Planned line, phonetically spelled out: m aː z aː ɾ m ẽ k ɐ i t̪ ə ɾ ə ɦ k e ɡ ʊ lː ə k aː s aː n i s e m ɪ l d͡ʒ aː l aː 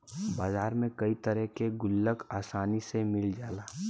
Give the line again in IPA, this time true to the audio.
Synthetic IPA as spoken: b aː z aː ɾ m ẽ k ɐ i t̪ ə ɾ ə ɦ k e ɡ ʊ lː ə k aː s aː n i s e m ɪ l d͡ʒ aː l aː